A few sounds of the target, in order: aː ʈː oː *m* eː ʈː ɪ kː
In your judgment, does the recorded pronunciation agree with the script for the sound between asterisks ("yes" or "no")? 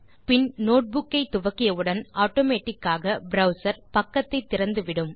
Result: yes